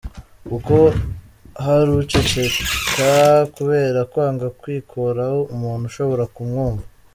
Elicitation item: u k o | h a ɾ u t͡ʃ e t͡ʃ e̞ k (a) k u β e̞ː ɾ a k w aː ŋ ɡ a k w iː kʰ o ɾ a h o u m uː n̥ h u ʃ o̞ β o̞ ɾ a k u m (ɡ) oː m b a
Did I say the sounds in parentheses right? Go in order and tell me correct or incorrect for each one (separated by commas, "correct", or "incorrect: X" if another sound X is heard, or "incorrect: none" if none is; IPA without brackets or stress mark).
correct, incorrect: ŋ